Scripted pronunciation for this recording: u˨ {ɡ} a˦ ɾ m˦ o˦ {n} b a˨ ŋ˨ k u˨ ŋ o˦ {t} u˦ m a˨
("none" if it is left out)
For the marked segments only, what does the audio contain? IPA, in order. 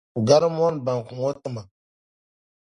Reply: ɡ, n, t

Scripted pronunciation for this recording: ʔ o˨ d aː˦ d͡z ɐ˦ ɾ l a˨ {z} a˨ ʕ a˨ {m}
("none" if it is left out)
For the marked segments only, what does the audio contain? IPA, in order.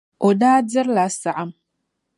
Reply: s, m

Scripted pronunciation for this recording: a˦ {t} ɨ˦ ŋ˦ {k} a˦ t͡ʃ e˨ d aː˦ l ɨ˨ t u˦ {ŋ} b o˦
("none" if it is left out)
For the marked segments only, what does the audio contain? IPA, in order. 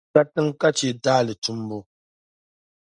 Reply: t, k, m

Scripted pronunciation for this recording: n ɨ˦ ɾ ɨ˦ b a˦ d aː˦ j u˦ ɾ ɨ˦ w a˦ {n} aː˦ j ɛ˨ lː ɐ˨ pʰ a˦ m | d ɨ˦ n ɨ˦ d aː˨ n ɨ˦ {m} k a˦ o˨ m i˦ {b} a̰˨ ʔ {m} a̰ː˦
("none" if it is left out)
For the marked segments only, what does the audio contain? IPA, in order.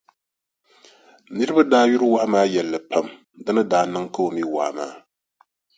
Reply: m, ŋ, w, m

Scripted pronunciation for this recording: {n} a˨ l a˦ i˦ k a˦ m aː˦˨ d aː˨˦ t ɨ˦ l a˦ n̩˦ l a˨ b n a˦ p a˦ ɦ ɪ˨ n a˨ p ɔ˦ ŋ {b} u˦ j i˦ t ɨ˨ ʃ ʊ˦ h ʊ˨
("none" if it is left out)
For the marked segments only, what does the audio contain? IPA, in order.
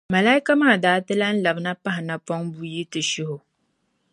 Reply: m, b

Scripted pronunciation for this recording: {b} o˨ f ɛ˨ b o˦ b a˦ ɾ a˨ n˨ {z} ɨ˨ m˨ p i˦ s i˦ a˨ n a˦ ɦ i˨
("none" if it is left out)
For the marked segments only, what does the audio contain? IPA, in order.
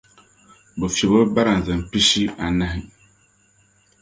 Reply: b, z

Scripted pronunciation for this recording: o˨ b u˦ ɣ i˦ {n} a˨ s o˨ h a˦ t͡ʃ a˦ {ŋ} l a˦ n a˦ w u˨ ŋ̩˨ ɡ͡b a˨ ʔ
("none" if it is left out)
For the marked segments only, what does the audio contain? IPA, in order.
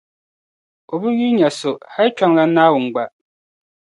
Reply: ɲ, ŋ

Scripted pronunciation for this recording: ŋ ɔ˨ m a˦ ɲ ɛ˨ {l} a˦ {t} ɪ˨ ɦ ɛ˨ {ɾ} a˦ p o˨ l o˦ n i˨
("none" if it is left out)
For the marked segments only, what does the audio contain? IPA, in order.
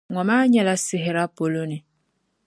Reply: l, s, ɾ

